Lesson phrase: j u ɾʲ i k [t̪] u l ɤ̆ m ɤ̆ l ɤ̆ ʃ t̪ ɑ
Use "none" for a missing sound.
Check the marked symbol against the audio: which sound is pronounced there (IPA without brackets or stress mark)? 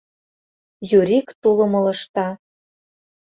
t̪